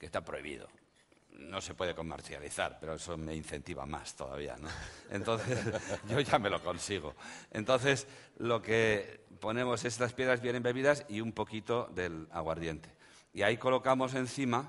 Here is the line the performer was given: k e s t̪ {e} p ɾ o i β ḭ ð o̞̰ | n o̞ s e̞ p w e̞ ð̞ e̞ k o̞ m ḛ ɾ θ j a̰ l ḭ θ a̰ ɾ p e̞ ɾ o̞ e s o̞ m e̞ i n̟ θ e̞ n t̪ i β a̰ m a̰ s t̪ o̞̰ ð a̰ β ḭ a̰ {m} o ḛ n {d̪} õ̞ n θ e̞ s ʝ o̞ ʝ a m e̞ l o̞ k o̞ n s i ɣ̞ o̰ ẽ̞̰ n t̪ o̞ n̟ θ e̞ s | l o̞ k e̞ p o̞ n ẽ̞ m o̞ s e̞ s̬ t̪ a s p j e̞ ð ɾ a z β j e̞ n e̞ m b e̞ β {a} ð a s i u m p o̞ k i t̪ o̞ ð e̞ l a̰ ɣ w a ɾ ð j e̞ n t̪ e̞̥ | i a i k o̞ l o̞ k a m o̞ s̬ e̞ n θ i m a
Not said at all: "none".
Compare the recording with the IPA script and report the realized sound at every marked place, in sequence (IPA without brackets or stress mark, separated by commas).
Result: a, n, t̪, i